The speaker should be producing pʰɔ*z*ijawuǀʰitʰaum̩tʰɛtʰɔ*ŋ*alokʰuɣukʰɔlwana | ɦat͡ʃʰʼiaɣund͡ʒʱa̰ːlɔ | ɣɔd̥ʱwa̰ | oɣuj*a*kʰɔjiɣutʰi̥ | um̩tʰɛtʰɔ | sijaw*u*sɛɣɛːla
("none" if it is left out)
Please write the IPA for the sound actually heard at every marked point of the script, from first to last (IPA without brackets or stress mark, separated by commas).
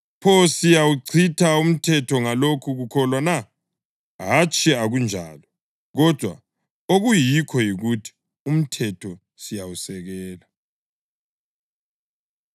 s, ŋ, i, u